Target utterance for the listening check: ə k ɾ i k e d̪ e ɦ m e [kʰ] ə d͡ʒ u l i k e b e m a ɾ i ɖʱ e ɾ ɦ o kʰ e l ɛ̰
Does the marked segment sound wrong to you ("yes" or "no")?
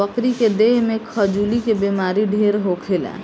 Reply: no